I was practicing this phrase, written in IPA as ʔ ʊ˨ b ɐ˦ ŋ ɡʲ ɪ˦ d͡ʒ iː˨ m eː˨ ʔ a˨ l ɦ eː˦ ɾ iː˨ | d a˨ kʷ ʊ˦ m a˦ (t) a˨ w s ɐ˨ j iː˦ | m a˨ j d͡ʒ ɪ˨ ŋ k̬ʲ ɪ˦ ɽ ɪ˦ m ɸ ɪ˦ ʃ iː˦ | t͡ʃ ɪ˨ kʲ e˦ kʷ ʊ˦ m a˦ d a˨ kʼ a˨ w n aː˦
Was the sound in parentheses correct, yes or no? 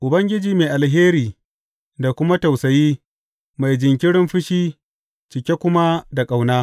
yes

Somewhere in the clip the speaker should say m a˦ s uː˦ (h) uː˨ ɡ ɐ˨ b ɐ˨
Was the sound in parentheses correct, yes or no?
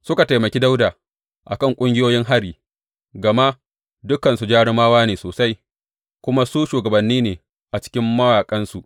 no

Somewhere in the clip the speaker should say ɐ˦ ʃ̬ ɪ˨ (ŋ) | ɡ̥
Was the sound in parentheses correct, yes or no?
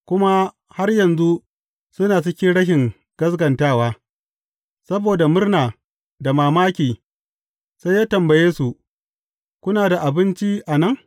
yes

